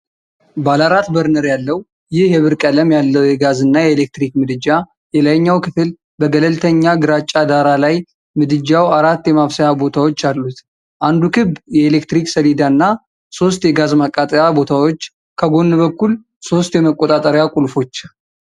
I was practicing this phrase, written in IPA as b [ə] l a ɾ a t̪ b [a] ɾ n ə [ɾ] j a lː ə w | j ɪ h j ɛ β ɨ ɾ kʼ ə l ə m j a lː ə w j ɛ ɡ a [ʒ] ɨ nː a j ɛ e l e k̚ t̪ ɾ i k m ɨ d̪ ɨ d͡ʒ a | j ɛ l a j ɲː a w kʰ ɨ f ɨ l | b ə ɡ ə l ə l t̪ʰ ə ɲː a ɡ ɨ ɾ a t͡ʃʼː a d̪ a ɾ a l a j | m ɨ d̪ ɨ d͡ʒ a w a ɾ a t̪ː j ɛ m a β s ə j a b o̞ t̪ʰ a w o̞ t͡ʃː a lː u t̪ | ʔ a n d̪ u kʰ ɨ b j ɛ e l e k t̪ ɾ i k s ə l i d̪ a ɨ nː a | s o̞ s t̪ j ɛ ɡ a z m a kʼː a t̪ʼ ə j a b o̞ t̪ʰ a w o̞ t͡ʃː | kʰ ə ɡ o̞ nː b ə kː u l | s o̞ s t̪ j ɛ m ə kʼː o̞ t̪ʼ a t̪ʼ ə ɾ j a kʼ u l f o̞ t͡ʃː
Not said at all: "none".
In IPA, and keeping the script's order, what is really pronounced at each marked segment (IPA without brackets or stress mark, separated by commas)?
a, ə, ɾ, z